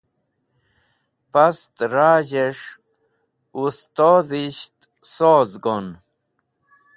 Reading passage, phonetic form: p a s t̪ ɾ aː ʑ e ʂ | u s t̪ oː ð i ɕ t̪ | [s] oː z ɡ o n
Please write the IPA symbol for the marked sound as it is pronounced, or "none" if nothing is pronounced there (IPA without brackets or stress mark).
s